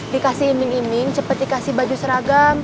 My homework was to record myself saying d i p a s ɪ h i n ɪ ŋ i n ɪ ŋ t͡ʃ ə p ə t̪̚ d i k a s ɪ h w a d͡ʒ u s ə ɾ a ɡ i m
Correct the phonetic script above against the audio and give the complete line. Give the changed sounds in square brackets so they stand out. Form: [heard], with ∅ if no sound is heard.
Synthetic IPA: d i [k] a s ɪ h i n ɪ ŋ i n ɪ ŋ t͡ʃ ə p ə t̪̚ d i k a s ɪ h [b] a d͡ʒ u s ə ɾ a ɡ [a] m

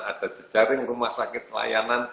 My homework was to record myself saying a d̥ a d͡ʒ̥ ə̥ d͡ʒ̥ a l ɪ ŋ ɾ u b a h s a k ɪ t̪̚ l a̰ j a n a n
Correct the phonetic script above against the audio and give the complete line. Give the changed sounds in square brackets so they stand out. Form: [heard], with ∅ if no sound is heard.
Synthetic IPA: a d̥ a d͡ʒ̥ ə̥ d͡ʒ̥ a [ɾ] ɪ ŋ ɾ u [m] a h s a k ɪ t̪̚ l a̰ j a n a n

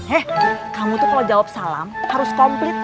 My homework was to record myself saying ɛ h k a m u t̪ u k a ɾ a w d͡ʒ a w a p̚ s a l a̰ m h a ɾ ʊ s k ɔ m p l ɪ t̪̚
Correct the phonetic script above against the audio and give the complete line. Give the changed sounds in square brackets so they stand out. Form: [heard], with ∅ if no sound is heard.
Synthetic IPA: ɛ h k a m u t̪ u k a [l] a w d͡ʒ a w a p̚ s a l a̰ m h a ɾ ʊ s k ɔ m p l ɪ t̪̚

